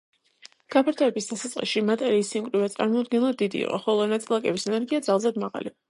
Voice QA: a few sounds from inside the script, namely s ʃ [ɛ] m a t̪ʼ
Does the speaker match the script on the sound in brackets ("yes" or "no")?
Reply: no